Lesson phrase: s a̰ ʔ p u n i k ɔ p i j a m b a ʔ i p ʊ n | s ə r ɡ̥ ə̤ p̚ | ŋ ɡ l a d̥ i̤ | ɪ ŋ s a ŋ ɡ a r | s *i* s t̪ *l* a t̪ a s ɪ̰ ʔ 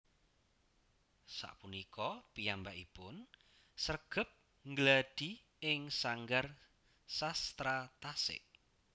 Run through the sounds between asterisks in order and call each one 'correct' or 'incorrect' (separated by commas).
incorrect, incorrect